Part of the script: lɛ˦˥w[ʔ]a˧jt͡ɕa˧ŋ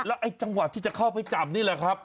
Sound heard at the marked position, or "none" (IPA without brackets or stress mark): ʔ